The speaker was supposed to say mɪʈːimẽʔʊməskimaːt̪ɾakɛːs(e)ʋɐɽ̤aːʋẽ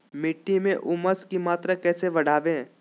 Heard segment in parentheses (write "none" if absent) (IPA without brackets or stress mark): e